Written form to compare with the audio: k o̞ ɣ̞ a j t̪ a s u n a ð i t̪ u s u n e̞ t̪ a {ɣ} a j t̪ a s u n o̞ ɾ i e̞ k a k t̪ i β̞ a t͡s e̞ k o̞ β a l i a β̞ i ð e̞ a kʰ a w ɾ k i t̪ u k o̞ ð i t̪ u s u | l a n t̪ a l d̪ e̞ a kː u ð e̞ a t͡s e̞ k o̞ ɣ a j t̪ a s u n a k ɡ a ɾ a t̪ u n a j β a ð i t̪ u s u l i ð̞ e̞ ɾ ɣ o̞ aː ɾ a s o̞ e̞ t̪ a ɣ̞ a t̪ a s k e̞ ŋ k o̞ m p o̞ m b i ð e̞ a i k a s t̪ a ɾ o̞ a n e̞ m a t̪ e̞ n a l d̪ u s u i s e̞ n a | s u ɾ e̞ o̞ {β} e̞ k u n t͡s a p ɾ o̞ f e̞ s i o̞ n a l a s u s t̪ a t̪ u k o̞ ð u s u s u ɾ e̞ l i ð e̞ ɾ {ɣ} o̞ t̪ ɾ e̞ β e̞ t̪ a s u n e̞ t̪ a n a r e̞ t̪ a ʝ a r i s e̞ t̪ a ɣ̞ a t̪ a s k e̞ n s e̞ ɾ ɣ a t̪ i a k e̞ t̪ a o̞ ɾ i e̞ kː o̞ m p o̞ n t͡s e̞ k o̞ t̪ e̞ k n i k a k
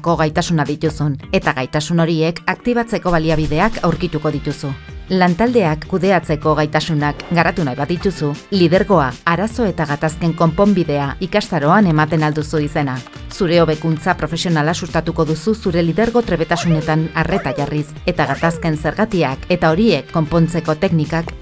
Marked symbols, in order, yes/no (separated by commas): yes, yes, yes